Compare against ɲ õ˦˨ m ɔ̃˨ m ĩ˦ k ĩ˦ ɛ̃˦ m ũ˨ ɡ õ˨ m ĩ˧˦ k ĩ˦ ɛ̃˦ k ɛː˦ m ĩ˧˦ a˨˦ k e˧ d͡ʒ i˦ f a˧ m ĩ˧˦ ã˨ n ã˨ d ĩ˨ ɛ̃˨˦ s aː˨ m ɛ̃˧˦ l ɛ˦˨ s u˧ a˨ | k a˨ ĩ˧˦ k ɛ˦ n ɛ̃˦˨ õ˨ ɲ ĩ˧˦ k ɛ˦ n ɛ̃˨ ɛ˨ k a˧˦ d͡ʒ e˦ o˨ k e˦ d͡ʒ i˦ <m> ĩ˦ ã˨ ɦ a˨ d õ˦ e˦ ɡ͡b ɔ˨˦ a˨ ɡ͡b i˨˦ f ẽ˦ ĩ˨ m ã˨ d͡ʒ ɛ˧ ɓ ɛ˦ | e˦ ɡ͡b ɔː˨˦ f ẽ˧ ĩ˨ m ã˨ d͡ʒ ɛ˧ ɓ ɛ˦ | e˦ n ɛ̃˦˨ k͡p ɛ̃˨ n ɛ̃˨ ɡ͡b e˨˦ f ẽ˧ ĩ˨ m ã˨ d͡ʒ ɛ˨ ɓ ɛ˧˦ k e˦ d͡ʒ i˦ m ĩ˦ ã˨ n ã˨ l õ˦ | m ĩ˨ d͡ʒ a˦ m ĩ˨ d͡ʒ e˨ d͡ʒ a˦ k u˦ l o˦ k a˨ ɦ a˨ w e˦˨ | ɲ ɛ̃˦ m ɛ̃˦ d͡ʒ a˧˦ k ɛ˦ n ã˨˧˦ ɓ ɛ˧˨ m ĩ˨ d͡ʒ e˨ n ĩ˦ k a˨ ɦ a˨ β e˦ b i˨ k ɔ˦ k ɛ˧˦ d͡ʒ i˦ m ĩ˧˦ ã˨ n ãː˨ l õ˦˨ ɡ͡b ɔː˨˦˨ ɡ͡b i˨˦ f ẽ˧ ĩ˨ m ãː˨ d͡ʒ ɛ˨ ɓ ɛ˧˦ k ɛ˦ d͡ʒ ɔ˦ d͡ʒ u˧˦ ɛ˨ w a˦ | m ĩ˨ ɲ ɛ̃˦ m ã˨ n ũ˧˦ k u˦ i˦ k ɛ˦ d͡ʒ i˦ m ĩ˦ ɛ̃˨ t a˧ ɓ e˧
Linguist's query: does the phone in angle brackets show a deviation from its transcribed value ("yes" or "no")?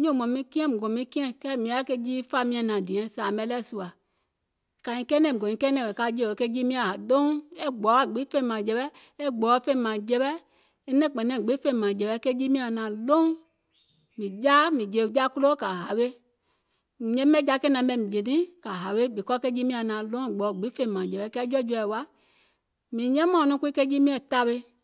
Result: no